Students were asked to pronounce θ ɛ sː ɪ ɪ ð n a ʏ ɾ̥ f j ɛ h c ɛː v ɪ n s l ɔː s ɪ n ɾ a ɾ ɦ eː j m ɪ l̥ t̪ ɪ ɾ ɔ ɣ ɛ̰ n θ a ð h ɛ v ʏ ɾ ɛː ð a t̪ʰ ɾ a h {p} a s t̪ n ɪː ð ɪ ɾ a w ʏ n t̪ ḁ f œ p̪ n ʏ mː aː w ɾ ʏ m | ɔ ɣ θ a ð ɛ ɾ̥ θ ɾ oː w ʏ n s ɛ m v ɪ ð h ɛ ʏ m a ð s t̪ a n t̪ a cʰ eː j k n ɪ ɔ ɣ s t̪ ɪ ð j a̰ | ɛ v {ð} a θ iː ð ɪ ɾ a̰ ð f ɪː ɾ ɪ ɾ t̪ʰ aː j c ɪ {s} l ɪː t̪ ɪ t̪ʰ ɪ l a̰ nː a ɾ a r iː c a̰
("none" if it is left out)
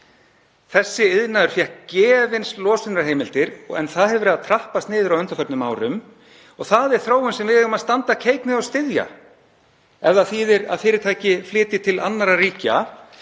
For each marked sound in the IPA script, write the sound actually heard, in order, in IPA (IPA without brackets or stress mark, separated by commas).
p, ð, f